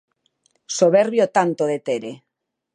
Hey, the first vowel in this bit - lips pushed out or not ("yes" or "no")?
yes